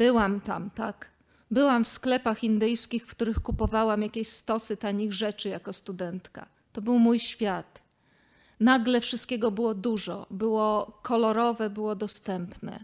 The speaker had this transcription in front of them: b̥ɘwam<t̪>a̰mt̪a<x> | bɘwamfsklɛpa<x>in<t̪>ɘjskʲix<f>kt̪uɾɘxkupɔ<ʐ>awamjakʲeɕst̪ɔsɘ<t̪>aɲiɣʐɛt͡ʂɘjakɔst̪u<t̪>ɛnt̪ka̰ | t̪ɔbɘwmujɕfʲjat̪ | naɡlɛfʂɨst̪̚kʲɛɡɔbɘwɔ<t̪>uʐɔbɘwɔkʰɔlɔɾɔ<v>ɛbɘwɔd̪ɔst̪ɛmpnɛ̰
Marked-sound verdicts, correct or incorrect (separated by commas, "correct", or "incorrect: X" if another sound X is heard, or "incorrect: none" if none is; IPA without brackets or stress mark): correct, incorrect: k, correct, incorrect: d̪, correct, incorrect: v, correct, incorrect: d̪, incorrect: d̪, correct